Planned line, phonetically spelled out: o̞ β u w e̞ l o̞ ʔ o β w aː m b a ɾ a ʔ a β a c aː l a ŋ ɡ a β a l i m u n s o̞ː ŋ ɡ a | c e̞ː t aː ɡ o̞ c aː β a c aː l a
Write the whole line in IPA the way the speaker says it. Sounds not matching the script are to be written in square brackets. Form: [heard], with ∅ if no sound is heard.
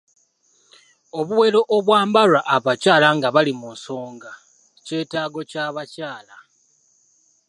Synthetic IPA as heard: o̞ β u w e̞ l o̞ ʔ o β w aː m b a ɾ a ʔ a β a c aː l a ŋ ɡ a β a l i m u n s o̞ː ŋ ɡ a | c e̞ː t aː ɡ o̞ c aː β a c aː l a